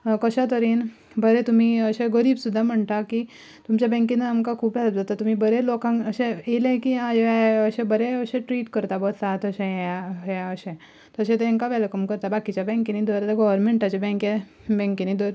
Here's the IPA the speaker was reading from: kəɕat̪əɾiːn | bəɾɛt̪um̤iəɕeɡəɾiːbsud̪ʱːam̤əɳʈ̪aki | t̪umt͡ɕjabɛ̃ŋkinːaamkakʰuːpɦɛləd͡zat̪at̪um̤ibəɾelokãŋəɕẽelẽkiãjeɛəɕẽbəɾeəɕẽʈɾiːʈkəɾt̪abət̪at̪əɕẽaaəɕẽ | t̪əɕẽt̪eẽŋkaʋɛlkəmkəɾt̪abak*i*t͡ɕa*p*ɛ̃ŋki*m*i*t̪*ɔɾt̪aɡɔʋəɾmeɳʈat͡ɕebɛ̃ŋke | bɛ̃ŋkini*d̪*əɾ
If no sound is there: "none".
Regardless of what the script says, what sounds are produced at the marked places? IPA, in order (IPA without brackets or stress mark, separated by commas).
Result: i, b, n, d̪, d̪